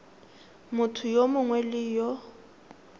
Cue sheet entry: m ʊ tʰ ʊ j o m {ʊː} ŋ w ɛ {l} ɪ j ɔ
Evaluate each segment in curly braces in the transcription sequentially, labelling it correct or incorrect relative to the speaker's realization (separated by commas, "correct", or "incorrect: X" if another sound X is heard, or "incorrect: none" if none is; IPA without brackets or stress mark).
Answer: incorrect: ʊ, correct